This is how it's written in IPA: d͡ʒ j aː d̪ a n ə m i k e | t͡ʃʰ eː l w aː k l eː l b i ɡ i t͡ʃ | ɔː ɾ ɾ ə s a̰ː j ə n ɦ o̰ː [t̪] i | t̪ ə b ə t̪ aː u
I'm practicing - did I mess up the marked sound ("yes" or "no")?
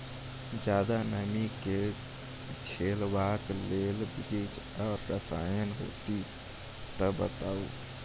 no